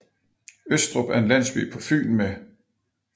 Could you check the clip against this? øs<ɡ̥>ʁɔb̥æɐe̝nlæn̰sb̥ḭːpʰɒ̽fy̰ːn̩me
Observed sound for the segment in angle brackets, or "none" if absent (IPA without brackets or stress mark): d̥